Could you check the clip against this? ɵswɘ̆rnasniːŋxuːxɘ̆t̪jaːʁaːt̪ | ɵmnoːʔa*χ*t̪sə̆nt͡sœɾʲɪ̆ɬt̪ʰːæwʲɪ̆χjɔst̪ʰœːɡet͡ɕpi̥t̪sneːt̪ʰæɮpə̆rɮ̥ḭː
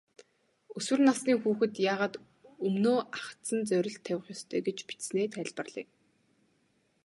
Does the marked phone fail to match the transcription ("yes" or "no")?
no